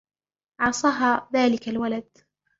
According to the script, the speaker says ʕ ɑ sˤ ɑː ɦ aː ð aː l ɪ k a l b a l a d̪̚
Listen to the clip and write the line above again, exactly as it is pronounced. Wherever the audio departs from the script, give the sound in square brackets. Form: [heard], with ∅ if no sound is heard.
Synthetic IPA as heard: ʕ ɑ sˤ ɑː ɦ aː ð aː l ɪ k a l [w] a l a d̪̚